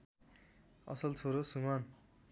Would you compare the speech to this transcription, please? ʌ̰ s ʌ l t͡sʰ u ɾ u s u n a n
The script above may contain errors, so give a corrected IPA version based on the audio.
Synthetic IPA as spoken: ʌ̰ s ʌ l t͡sʰ o ɾ o s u m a n